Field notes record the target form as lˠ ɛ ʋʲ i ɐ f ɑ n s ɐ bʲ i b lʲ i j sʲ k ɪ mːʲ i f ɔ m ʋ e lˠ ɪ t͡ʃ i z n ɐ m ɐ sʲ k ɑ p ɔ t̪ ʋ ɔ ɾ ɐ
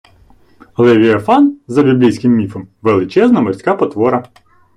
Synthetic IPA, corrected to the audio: lˠ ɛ ʋʲ i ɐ f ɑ n z ɐ bʲ i b lʲ i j sʲ k ɪ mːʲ i f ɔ m ʋ e lˠ ɪ t͡ʃ ɛ z n ɐ m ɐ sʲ k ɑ p ɔ t̪ ʋ ɔ ɾ ɐ